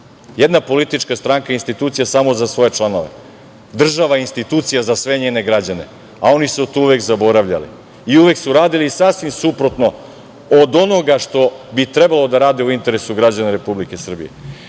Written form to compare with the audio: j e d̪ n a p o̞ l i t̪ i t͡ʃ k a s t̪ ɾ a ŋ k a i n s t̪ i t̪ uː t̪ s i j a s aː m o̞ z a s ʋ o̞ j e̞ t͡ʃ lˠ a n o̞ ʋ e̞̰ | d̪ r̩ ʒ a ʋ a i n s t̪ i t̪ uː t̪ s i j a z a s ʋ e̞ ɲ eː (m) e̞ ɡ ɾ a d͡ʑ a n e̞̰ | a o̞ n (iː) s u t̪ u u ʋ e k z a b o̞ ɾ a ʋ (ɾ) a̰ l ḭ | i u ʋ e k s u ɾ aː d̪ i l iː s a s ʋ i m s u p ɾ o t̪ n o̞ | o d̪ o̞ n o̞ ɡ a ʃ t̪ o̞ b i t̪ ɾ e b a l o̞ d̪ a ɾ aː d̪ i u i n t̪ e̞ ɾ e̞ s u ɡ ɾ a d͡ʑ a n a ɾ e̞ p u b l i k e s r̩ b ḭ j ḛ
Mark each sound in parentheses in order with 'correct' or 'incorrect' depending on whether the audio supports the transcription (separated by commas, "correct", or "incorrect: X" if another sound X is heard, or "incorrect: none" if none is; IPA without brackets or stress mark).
incorrect: n, incorrect: i, incorrect: ʎ